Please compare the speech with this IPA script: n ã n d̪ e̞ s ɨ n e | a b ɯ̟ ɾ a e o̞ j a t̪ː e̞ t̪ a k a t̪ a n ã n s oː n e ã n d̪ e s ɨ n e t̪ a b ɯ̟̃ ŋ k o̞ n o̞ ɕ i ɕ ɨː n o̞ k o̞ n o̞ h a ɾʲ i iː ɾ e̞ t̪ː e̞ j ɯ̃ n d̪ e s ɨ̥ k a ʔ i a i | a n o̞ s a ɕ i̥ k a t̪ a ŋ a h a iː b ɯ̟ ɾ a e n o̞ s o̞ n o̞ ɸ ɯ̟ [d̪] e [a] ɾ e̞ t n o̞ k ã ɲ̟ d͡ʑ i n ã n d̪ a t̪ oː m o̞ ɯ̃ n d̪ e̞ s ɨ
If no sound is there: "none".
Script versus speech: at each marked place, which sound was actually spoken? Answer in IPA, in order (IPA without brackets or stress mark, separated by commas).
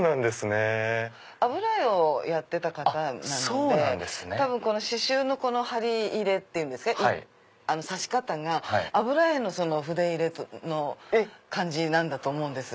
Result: d̪, i